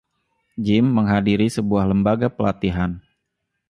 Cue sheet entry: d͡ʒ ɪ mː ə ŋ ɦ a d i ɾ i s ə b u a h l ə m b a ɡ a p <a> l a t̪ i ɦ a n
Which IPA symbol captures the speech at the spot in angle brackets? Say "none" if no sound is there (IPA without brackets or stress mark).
ə